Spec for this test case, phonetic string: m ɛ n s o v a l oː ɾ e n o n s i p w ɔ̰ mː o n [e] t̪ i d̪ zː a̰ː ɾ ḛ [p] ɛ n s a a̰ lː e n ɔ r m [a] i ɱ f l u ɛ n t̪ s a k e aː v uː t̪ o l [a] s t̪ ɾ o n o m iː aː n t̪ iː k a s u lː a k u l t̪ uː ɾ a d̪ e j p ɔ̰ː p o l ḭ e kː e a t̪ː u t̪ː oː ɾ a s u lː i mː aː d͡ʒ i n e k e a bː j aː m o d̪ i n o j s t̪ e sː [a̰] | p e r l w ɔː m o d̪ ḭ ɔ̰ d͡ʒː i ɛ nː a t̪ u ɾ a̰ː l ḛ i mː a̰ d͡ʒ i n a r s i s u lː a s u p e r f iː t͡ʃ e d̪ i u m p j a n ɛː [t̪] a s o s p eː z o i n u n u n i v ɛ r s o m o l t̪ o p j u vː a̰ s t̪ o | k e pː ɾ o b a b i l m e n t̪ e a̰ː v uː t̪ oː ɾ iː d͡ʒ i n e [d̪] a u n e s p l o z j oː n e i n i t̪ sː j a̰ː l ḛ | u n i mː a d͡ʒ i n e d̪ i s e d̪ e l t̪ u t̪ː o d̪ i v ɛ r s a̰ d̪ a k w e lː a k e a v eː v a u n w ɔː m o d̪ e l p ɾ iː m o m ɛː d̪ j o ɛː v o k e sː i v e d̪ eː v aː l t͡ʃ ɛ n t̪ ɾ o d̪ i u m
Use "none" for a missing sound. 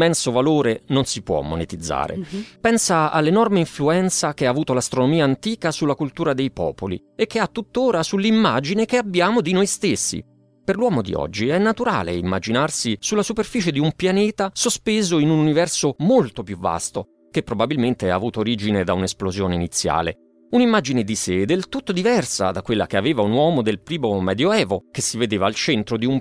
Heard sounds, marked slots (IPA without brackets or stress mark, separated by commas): e, p, e, a, ḭ, t̪, d̪